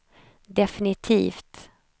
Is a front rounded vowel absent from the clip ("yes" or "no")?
yes